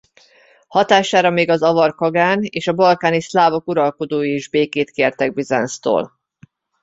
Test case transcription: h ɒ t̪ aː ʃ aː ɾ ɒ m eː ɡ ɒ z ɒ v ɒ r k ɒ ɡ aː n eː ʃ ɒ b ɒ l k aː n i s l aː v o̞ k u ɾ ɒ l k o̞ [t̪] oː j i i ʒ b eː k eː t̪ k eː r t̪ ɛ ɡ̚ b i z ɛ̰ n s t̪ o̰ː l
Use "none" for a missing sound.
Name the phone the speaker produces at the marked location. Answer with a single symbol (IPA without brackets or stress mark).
d̪